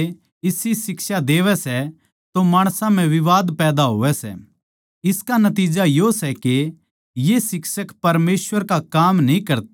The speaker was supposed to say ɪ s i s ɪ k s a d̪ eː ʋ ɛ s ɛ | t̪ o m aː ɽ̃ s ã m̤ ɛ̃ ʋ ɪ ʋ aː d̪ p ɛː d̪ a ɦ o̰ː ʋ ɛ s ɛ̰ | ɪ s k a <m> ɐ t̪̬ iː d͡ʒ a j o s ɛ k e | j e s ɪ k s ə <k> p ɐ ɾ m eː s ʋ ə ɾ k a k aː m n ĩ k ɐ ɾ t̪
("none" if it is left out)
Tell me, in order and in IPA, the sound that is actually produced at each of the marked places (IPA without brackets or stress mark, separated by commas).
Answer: n, k